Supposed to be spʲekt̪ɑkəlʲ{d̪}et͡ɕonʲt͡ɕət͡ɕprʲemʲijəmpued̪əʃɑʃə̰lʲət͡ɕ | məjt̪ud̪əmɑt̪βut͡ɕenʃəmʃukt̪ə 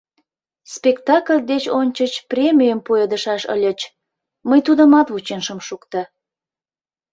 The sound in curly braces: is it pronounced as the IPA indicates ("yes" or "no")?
yes